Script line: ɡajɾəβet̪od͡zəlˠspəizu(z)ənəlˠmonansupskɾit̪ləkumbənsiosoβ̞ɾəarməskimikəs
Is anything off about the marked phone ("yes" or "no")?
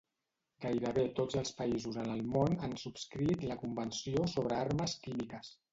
no